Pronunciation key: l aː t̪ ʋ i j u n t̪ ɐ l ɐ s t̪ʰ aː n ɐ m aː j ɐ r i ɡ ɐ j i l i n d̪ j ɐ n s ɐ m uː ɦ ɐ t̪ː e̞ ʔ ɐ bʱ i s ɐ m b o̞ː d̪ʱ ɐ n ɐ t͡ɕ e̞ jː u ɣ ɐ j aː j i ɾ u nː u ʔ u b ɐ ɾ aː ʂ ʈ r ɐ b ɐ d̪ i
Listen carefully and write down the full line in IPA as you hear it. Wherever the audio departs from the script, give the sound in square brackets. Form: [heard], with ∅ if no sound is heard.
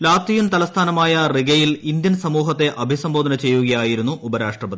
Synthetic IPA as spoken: l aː t̪ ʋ i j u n t̪ ɐ l ɐ s t̪ʰ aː n ɐ m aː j ɐ r i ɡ ɐ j i l i n d̪ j ɐ n s ɐ m uː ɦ ɐ t̪ː e̞ ʔ ɐ bʱ i s ɐ m b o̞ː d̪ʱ ɐ n ɐ t͡ɕ e̞ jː u ɣ ɐ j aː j i ɾ u nː u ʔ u b ɐ ɾ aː ʂ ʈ r ɐ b ɐ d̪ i